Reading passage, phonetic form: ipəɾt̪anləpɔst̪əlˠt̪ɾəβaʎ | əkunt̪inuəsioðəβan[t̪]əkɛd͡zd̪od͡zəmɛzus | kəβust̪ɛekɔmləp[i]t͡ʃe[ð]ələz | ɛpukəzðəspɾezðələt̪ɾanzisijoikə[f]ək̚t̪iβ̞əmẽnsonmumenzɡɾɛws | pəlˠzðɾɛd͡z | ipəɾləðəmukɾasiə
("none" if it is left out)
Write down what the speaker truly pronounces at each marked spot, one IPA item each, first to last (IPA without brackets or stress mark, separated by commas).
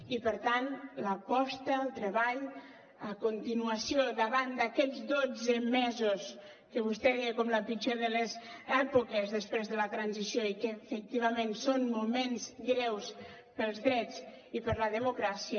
d̪, i, ð, f